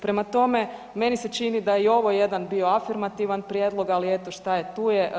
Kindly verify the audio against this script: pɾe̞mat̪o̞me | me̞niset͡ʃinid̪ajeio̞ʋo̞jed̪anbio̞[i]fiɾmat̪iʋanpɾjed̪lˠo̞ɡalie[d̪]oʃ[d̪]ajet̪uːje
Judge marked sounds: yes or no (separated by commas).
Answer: no, no, no